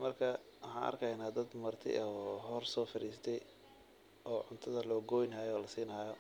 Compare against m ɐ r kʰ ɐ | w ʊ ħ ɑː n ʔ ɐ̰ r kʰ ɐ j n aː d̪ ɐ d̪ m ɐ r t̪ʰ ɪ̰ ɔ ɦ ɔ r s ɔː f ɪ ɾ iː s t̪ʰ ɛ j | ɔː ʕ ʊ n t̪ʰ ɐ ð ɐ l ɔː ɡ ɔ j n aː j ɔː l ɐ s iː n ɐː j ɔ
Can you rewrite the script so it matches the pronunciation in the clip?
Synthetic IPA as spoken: m ɐ r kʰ ɐ | w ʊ ħ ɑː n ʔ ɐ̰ r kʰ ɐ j n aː d̪ ɐ d̪ m ɐ r t̪ʰ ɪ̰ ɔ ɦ ɔ r s ɔː f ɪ ɾ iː s t̪ʰ ɛ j | ɔː ʕ ʊ n t̪ʰ ɐ ð ɐ l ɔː ɡ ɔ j n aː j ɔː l ɐ s iː n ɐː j ɔ